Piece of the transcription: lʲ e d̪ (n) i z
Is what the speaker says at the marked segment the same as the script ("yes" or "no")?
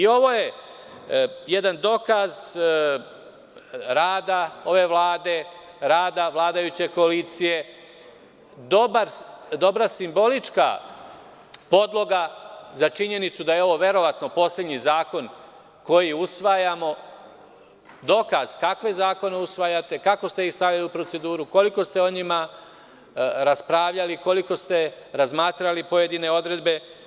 no